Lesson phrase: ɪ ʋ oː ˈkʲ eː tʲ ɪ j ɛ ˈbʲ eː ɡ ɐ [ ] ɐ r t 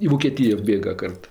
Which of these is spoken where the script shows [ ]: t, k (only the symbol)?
k